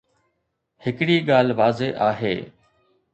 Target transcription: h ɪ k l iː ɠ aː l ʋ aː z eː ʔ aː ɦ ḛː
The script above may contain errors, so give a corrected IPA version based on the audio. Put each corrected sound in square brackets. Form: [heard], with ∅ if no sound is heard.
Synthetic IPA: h ɪ k [ɽ] iː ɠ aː l ʋ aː z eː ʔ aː ɦ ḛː